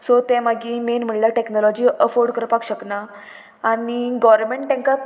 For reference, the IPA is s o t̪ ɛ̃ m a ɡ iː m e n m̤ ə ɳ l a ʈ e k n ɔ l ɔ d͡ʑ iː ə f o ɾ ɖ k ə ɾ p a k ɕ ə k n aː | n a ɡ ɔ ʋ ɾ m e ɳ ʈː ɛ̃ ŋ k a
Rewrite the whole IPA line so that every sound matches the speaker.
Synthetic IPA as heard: s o t̪ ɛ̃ m a ɡ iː m e n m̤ ə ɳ l a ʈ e k n ɔ l ɔ d͡ʑ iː ə f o ɾ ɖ k ə ɾ p a k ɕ ə k n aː | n i ɡ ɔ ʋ ɾ m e ɳ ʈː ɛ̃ ŋ k a